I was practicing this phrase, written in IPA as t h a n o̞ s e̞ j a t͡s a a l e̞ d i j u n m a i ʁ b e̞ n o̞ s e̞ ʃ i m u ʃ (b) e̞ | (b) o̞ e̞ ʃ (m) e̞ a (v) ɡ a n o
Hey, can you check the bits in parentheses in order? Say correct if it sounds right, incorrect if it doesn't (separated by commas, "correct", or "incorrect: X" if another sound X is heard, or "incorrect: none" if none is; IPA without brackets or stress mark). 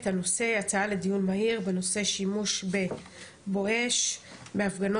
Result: correct, correct, incorrect: b, incorrect: f